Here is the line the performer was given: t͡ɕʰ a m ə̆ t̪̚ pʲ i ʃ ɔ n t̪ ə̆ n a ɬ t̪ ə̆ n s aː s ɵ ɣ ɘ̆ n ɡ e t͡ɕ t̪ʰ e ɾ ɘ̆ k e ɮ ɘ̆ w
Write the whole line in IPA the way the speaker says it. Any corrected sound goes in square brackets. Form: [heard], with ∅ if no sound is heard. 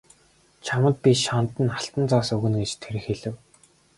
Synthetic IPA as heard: t͡ɕʰ a m ə̆ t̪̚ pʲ i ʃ ɔ n t̪ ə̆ n a ɬ t̪ ə̆ n [t͡s] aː s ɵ ɣ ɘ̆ n ɡ e t͡ɕ t̪ʰ e ɾ ɘ̆ [x] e ɮ ɘ̆ w